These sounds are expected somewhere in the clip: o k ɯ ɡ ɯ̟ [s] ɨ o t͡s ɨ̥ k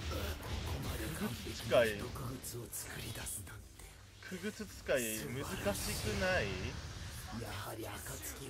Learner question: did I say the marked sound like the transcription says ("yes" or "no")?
no